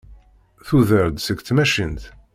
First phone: θ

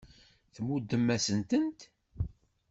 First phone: θ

